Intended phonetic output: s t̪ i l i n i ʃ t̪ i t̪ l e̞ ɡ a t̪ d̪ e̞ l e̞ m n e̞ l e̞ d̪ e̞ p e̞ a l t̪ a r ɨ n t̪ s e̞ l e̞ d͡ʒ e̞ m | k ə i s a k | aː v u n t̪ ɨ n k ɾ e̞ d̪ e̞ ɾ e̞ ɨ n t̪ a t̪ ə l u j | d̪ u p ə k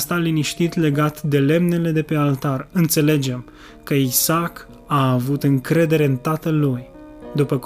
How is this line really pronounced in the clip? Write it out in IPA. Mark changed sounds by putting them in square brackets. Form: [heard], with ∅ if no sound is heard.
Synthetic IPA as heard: s t̪ [a] l i n i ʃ t̪ i t̪ l e̞ ɡ a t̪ d̪ e̞ l e̞ m n e̞ l e̞ d̪ e̞ p e̞ a l t̪ a r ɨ n t̪ s e̞ l e̞ d͡ʒ e̞ m | k ə i s a k | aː v u [∅] t̪ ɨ [ŋ] k ɾ e̞ d̪ e̞ ɾ e̞ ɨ n t̪ a t̪ ə l u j | d̪ u p ə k